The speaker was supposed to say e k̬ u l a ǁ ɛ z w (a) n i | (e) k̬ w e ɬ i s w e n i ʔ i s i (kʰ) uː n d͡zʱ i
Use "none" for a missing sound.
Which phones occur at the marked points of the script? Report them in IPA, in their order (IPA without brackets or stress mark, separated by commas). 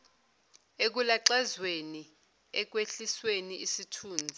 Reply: e, ɛ, tʰ